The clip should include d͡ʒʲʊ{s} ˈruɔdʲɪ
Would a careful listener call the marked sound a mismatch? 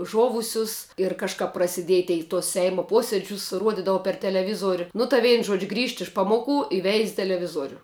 no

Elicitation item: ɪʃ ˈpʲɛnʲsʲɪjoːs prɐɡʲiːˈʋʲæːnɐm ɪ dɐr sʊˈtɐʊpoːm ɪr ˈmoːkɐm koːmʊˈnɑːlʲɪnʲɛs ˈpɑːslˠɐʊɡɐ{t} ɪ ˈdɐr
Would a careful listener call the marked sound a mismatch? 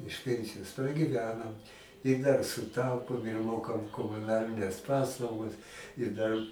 yes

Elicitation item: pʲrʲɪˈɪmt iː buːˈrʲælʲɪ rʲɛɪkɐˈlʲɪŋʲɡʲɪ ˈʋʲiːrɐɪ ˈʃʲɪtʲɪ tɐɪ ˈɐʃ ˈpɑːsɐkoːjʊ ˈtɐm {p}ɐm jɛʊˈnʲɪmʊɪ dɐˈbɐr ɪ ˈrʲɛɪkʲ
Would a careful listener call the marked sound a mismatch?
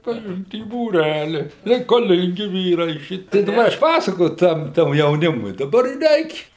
yes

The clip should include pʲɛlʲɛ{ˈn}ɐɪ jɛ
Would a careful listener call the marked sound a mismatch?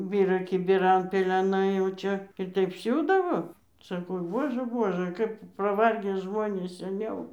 no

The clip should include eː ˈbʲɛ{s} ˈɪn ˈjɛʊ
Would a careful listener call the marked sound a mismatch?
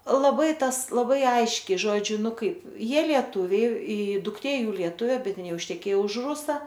yes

